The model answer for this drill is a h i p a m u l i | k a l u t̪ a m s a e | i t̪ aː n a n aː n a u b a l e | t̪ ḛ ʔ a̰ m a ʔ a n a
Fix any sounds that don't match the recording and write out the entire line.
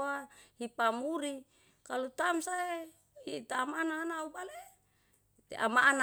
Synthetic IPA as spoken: a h i p a m u ɾ i | k a l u t̪ a m s a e | i t̪ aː m a n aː n a u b a l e | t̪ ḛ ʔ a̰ m a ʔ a n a